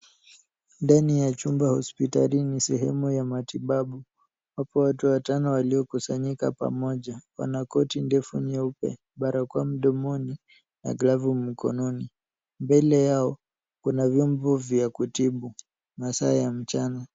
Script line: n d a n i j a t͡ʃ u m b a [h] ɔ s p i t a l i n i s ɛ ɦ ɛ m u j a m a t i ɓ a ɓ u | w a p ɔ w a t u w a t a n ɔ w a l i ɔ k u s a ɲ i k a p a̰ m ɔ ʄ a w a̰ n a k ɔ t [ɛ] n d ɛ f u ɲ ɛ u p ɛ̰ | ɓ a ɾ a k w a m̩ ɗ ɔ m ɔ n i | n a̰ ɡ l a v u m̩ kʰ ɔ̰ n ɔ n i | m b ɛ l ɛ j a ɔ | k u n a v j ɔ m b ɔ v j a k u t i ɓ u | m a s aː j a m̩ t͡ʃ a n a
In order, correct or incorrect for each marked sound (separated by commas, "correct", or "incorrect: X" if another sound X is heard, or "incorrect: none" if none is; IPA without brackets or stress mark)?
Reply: correct, incorrect: i